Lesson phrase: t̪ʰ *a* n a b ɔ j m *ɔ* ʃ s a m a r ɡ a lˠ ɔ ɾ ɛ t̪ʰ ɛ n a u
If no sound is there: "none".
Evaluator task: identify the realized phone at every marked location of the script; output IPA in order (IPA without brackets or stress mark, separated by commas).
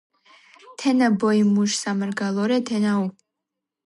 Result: ɛ, u